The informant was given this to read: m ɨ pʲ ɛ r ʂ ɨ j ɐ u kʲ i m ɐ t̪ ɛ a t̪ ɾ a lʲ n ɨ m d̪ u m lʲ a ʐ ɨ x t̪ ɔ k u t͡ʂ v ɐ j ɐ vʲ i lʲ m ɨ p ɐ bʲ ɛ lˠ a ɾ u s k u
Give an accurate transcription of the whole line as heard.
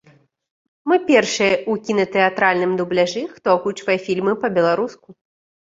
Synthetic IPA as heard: m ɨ pʲ ɛ r ʂ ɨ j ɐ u kʲ i n ɐ t̪ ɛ a t̪ ɾ a lʲ n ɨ m d̪ u b lʲ a ʐ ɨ x t̪ ɔ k u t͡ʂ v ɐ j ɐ fʲ i lʲ m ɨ p ɐ bʲ ɛ lˠ a ɾ u s k u

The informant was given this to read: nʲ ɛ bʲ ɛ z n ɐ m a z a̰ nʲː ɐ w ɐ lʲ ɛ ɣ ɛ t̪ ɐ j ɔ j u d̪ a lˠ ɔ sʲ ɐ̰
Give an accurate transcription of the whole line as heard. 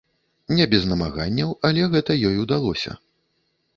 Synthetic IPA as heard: nʲ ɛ bʲ ɛ z n ɐ m a ɣ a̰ nʲː ɐ w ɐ lʲ ɛ ɣ ɛ t̪ ɐ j ɔ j u d̪ a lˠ ɔ sʲ ɐ̰

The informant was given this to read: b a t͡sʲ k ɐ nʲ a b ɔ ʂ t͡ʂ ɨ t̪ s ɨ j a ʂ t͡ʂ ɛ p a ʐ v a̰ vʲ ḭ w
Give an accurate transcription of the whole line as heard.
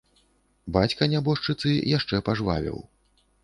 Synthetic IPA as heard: b a t͡sʲ k ɐ nʲ a b ɔ ʂ t͡ʂ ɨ t̪ s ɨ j a ʂ t͡ʂ ɛ p a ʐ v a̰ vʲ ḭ w

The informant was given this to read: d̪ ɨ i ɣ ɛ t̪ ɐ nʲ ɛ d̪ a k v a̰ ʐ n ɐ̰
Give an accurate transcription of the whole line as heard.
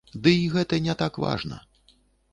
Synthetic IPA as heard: d̪ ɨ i ɣ ɛ t̪ ɐ nʲ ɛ t̪ a k v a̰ ʐ n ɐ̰

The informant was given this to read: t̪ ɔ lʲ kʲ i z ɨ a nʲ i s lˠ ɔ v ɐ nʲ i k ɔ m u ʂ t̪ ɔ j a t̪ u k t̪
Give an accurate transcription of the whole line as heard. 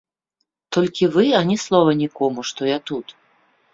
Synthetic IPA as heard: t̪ ɔ lʲ kʲ i v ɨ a nʲ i s lˠ ɔ v ɐ nʲ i k ɔ m u ʂ t̪ ɔ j a t̪ u t̪

